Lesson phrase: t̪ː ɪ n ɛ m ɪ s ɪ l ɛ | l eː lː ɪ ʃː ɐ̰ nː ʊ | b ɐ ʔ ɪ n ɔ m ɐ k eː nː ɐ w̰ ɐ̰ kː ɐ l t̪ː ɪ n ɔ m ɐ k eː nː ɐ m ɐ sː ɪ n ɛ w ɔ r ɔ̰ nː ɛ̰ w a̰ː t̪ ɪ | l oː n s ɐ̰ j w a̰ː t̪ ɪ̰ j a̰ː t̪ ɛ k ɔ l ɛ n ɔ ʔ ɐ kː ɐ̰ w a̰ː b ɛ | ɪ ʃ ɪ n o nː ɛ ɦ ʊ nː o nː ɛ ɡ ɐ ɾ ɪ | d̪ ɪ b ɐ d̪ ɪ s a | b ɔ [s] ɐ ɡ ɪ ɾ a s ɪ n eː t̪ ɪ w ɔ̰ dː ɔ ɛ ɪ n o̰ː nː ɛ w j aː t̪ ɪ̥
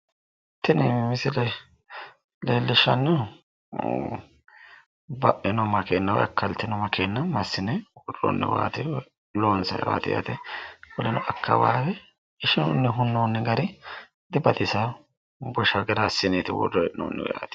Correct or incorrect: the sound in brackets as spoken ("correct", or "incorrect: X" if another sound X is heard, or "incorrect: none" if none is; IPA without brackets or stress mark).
incorrect: ʃ